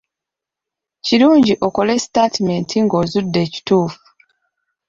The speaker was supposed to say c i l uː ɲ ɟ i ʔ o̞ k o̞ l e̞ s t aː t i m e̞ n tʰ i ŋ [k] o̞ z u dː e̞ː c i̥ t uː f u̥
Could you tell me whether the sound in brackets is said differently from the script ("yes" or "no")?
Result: yes